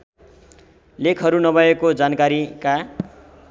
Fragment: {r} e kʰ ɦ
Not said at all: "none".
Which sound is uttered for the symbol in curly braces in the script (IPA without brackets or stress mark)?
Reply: l